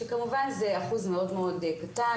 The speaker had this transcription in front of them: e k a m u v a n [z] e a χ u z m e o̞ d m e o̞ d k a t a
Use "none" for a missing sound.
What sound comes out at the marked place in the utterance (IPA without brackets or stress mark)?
z